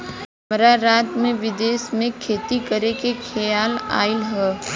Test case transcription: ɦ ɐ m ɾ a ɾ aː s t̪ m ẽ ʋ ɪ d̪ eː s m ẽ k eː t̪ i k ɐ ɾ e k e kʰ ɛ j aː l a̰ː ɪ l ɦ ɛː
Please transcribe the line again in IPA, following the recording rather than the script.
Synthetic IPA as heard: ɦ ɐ m ɾ a ɾ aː t̪ m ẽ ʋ ɪ d̪ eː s m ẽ kʰ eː t̪ i k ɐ ɾ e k e kʰ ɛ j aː l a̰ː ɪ l ɦ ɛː

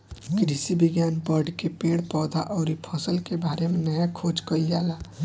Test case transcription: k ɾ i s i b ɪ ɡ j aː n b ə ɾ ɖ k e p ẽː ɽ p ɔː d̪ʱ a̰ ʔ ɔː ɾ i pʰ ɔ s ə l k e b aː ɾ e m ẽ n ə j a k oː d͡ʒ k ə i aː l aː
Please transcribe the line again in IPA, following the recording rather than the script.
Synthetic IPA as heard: k ɾ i s i b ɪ ɡ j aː n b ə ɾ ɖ k e p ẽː ɽ p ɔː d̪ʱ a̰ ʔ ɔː ɾ i pʰ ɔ s ə l k e b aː ɾ e m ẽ n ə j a kʰ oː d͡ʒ k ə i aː l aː

